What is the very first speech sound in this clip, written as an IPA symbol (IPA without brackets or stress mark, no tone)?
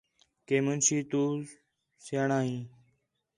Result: k